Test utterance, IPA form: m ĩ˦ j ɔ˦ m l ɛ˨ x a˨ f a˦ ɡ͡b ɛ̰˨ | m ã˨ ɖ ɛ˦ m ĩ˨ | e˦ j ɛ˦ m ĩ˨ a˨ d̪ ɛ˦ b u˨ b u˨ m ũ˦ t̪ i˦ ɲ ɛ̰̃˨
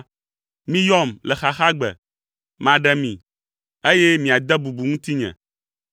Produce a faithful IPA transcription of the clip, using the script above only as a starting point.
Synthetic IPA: m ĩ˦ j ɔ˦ m l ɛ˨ x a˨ x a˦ ɡ͡b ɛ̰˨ | m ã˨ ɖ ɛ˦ m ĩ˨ | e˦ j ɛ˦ m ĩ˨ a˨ d̪ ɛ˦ b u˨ b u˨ ŋ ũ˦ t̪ i˦ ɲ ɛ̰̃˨

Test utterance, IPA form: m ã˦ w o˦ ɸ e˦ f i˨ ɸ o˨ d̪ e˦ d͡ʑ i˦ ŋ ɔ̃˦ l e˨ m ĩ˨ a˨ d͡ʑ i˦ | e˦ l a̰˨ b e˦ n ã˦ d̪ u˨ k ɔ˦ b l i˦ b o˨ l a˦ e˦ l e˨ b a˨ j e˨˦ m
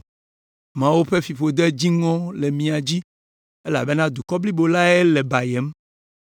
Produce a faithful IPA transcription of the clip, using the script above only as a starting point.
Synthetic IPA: m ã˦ w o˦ ɸ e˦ f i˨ ɸ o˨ d̪ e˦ d͡ʑ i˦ ŋ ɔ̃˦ l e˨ m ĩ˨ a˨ d͡ʑ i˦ | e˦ l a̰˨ b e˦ n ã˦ d̪ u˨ k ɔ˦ b l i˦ b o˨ l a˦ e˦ l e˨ b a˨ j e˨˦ m

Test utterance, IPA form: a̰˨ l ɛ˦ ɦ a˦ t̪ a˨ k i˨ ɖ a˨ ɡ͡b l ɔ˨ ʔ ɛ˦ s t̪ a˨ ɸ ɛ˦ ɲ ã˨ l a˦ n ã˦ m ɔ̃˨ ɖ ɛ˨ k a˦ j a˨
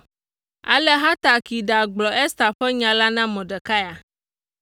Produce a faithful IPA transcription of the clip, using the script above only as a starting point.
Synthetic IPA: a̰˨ l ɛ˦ ɦ a˦ t̪ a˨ k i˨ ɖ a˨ ɡ͡b l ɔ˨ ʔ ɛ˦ s t̪ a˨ ɸ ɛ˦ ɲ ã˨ l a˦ n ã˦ m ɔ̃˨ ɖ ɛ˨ k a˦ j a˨

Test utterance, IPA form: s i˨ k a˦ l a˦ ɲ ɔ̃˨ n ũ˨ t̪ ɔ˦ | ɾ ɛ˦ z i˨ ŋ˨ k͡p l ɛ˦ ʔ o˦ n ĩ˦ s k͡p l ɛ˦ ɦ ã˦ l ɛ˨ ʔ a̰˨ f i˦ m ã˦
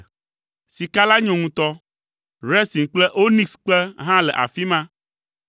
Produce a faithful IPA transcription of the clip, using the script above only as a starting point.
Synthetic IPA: s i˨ k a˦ l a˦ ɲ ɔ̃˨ ŋ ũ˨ t̪ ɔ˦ | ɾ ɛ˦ s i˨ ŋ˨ k͡p l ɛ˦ ʔ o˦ n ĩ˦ s k͡p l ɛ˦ ɦ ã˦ l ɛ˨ ʔ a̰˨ f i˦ m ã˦

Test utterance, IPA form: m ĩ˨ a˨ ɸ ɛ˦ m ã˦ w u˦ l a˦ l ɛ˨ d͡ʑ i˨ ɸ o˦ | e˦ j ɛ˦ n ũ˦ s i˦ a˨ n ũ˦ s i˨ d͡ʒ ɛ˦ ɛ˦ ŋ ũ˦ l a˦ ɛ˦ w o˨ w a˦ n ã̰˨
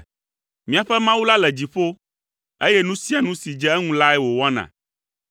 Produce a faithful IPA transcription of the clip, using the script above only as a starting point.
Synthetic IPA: m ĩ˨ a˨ ɸ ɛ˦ m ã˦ w u˦ l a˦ l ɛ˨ d͡ʑ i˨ ɸ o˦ | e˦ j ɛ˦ n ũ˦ s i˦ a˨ n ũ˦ s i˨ d͡ʒ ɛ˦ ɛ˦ ŋ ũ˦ l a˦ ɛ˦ w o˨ w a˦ n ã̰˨

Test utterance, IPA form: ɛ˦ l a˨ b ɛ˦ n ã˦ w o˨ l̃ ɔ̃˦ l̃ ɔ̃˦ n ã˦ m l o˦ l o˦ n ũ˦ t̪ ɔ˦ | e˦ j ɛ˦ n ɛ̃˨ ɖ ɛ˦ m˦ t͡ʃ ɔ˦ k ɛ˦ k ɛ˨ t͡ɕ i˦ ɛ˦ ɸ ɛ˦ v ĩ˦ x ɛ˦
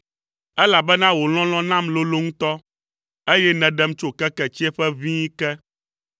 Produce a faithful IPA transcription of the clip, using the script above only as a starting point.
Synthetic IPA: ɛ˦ l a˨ b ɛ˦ n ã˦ w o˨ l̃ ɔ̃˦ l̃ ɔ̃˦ n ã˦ m l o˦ l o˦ ŋ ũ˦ t̪ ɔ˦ | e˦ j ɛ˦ n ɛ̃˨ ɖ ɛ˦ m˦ t͡ʃ o˦ k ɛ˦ k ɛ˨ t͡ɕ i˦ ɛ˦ ɸ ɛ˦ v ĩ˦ k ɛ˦

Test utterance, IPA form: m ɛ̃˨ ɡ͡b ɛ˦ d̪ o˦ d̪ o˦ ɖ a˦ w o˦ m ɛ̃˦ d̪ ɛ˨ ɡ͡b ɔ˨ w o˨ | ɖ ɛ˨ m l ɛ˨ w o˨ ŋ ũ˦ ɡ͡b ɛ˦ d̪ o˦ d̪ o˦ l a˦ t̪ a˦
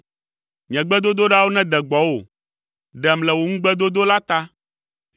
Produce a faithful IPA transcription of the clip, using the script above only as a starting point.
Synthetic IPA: ɲ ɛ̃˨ ɡ͡b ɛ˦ d̪ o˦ d̪ o˦ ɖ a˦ w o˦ n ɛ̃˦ d̪ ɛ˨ ɡ͡b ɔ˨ w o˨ | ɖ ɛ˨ m l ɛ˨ w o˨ ŋ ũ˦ ɡ͡b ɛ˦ d̪ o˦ d̪ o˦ l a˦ t̪ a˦

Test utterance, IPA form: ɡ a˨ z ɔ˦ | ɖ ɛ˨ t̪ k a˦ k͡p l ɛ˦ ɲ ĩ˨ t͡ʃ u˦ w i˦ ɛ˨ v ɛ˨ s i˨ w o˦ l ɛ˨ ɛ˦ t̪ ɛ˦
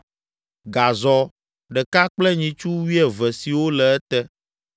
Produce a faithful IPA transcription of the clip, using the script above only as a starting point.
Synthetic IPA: ɡ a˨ z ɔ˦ | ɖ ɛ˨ k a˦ k͡p l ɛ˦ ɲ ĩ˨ t͡ʃ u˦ w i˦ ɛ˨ v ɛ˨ s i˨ w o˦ l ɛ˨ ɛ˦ t̪ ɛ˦

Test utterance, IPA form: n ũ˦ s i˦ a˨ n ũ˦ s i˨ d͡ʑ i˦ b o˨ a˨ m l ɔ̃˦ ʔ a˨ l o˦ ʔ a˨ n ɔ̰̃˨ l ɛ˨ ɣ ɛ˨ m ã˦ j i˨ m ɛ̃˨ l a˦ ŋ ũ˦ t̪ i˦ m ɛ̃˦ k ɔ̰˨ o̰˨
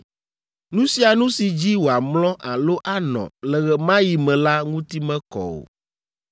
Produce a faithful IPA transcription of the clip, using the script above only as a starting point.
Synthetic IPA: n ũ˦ s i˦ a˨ n ũ˦ s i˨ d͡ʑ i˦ w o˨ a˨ m l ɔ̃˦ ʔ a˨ l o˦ ʔ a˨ n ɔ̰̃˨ l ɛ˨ ɣ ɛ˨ m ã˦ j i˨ m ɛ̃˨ l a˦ ŋ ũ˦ t̪ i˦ m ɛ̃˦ k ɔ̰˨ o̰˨

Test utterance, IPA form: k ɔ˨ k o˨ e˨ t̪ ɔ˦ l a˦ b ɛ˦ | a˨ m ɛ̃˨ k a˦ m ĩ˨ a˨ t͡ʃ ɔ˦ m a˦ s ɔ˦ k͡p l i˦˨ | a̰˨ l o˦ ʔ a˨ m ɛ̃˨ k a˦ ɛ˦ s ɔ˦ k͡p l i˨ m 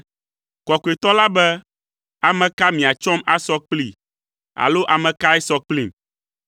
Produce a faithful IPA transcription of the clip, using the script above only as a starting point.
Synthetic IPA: k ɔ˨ k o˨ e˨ t̪ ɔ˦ l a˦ b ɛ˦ | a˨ m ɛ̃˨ k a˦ m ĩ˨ a˨ t͡ʃ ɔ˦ m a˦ s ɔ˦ k͡p l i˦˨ | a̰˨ l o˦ ʔ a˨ m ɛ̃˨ k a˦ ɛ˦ s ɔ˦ k͡p l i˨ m

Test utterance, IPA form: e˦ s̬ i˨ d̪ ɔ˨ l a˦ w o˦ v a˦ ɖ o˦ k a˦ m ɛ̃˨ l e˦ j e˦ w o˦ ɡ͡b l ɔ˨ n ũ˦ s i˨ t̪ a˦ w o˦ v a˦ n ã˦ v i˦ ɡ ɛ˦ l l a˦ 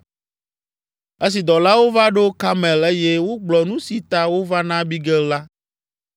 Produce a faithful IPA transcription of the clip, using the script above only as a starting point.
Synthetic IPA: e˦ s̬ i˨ d̪ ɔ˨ l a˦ w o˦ v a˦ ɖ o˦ k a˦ m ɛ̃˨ l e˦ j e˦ w o˦ ɡ͡b l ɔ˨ n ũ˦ s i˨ t̪ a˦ w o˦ v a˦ n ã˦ b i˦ ɡ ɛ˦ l l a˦

